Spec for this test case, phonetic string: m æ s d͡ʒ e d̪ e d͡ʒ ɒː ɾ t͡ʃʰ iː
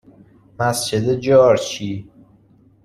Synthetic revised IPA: m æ s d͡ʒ e d̪ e d͡ʒ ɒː ɾ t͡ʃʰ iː